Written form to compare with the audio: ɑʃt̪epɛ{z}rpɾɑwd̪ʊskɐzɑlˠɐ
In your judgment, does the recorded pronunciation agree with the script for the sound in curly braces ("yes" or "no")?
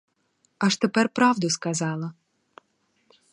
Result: no